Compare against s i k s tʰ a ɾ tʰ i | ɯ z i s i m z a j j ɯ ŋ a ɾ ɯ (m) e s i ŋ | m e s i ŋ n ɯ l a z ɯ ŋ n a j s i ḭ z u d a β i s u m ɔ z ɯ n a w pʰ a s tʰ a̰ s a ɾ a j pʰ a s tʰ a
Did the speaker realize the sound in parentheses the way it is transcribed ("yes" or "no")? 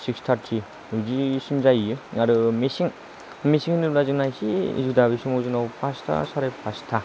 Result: yes